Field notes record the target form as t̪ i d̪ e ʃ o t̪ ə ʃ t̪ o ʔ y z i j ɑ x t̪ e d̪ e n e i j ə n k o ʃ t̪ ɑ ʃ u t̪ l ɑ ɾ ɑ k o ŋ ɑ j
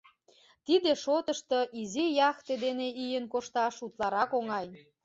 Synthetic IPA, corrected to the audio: t̪ i d̪ e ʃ o t̪ ə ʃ t̪ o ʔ i z i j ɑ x t̪ e d̪ e n e i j ə n k o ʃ t̪ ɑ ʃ u t̪ l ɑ ɾ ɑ k o ŋ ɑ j